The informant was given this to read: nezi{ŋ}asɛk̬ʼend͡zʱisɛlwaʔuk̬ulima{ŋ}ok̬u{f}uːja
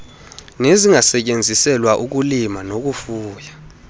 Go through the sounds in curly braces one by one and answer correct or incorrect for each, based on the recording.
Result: correct, incorrect: n, correct

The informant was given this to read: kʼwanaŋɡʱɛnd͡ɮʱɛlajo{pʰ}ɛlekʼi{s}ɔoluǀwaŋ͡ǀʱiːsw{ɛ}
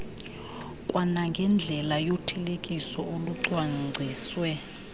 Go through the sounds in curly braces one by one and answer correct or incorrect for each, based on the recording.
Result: incorrect: tʰ, correct, correct

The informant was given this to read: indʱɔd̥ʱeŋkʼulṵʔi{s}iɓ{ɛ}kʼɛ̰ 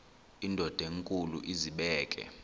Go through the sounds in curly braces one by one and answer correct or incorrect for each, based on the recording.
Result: incorrect: z, incorrect: ɛː

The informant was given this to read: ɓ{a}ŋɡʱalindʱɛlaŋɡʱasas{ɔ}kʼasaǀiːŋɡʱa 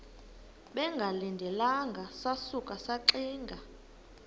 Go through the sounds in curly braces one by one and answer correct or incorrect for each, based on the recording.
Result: incorrect: ɛ, incorrect: u

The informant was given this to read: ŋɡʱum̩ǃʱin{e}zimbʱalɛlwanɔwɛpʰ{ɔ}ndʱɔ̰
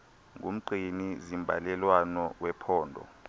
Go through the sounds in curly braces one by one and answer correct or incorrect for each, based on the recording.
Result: incorrect: i, incorrect: ɔː

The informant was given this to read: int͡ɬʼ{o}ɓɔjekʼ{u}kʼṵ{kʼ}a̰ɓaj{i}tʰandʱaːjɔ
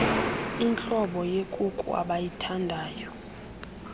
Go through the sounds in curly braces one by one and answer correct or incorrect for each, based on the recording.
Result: incorrect: ɔ, correct, incorrect: none, correct

